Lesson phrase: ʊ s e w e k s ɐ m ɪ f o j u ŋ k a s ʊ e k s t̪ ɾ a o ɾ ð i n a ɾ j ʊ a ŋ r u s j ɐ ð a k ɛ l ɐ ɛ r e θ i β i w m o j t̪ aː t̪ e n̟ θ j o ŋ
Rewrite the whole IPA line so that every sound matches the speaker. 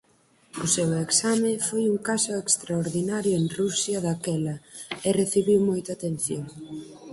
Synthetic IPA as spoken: ʊ s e w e k s a m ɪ f o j u ŋ k a s ʊ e k s t̪ ɾ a o ɾ ð i n a ɾ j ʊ e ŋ r u s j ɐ ð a k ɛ l ɐ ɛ r e θ i β i w m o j t̪ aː t̪ e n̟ θ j o ŋ

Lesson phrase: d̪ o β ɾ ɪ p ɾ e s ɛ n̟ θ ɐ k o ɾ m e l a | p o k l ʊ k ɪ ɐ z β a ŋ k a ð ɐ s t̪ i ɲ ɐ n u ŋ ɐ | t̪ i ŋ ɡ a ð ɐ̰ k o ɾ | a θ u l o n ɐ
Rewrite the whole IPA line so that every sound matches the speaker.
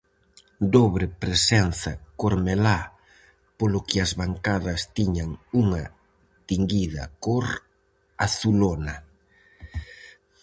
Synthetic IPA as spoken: d̪ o β ɾ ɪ p ɾ e s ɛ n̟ θ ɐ k o ɾ m e l a | p o l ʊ k ɪ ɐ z β a ŋ k a ð ɐ s t̪ i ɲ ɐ ŋ u ŋ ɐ | t̪ i ŋ ɡ i ð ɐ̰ k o ɾ | a θ u l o n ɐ

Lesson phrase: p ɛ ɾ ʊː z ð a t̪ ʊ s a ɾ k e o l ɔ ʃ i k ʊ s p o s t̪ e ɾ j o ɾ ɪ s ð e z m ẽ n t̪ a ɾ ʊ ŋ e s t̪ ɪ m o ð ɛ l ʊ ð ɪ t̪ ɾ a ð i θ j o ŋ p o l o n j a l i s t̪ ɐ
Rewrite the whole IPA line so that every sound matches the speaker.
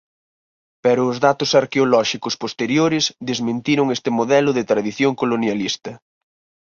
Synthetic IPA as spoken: p ɛ ɾ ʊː z ð a t̪ ʊ s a ɾ k e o l ɔ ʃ i k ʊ s p o s t̪ e ɾ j o ɾ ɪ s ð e z m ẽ n t̪ i ɾ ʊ ŋ e s t̪ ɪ m o ð ɛ l ʊ ð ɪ t̪ ɾ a ð i θ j o ŋ k o l o n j a l i s t̪ ɐ

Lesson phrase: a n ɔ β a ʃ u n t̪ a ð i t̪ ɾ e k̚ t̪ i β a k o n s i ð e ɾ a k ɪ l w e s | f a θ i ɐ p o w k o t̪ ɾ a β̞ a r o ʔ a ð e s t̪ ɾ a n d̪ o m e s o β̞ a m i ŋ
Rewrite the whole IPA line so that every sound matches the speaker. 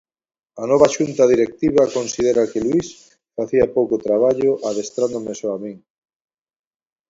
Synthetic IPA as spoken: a n ɔ β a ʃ u n t̪ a ð i ɾ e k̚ t̪ i β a k o n s i ð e ɾ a k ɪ l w i s | f a θ i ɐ p o w k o t̪ ɾ a β̞ a ʎ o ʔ a ð e s t̪ ɾ a n d̪ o m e s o a m i ŋ

